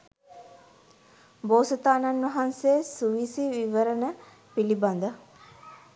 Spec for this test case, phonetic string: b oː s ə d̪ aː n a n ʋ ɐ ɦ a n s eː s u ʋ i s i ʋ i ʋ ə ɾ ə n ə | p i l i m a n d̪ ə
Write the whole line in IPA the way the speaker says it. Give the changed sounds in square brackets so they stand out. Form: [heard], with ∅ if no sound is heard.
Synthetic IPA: b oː s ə [t̪] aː n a n ʋ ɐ ɦ a n s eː s u ʋ i s i ʋ i ʋ ə ɾ ə n ə | p i l i [b] a n d̪ ə

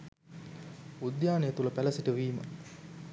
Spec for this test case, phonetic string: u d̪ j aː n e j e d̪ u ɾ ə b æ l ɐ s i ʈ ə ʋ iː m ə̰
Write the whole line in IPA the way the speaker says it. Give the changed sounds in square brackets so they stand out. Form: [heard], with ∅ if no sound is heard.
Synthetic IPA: u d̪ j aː n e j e [t̪] u [l] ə [p] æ l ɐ s i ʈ ə ʋ iː m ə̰

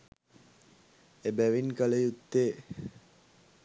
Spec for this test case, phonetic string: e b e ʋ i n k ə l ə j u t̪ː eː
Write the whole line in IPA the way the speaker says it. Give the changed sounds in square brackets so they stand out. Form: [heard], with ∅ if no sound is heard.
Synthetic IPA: e b [æ] ʋ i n k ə l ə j u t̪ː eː

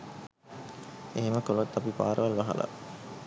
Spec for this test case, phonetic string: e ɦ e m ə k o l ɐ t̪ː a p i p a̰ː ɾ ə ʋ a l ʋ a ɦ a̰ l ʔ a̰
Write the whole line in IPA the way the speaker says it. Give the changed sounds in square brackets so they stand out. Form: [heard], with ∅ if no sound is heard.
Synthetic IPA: e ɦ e m ə k o l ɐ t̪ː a p i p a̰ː ɾ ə ʋ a l ʋ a ɦ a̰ l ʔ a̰

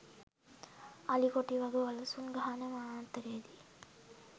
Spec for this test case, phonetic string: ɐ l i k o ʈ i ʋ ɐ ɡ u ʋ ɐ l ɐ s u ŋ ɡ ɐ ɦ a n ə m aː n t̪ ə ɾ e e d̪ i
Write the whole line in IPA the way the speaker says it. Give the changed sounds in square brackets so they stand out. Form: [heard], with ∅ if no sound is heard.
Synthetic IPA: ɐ l i k o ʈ i ʋ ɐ ɡ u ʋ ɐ l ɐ s u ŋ ɡ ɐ ɦ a n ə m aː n t̪ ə ɾ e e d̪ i

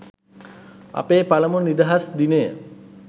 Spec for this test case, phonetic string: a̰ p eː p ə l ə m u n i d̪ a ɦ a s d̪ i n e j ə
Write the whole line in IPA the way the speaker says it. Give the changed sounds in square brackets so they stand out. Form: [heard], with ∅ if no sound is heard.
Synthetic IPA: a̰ p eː p [a] l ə m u n i d̪ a ɦ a s d̪ i n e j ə

